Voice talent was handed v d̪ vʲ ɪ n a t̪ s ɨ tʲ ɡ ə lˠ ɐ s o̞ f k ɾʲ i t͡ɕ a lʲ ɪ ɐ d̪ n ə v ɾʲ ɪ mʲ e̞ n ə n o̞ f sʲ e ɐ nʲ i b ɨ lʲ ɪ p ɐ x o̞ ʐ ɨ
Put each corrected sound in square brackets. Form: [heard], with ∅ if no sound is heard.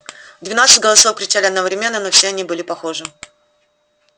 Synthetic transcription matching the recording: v d̪ vʲ ɪ n a t̪ s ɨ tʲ ɡ ə lˠ ɐ s o̞ f k ɾʲ [ɪ] t͡ɕ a lʲ ɪ ɐ d̪ n ə v ɾʲ ɪ mʲ e̞ [nː] ə n o̞ f sʲ e ɐ nʲ i b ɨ lʲ ɪ p ɐ x o̞ ʐ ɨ